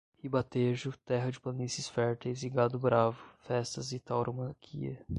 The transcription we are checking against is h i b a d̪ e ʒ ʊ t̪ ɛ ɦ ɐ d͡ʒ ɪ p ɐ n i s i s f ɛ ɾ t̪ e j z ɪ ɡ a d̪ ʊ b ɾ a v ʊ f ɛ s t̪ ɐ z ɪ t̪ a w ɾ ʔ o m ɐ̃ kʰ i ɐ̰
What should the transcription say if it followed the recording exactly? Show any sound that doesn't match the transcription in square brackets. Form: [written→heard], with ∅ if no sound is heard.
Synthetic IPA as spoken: h i b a [d̪→t̪] e ʒ ʊ t̪ ɛ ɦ ɐ d͡ʒ ɪ p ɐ n i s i s f ɛ ɾ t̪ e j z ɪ ɡ a d̪ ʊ b ɾ a v ʊ f ɛ s t̪ ɐ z ɪ t̪ a w ɾ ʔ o m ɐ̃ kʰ i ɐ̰